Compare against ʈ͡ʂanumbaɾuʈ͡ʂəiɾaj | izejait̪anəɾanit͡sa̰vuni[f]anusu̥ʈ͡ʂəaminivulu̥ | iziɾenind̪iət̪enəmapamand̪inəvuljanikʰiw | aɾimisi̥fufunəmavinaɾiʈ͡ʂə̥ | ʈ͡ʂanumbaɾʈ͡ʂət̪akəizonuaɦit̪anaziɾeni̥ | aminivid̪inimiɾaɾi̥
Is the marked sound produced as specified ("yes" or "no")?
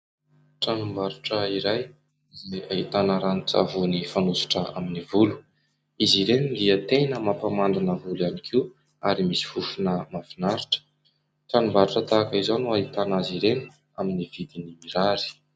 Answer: yes